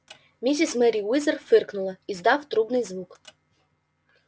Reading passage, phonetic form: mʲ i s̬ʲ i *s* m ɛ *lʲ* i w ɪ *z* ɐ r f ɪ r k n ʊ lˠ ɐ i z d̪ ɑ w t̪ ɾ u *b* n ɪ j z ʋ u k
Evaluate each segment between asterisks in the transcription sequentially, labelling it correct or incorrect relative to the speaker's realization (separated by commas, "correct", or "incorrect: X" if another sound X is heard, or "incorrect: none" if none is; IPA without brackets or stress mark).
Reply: correct, incorrect: ɾʲ, correct, correct